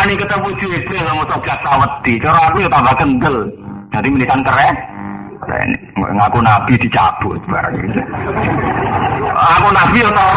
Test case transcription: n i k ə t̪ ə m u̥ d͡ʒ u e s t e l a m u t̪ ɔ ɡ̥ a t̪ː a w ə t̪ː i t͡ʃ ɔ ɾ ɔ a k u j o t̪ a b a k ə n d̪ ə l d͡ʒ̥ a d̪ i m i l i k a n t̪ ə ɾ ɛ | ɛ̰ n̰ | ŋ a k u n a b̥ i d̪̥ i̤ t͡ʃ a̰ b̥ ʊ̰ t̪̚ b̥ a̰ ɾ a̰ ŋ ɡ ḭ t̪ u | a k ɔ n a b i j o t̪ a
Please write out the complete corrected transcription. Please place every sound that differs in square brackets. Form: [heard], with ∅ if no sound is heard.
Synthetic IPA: n i k ə t̪ ə m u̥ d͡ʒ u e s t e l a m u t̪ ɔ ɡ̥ a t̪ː a w ə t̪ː i t͡ʃ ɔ ɾ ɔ a k u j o t̪ a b a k ə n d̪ ə l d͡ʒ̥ a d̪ i m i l i k a n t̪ ə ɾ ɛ | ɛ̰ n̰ | ŋ a k u n a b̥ i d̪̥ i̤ t͡ʃ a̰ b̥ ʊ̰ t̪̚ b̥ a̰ ɾ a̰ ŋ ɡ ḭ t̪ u | a k [u] n a b i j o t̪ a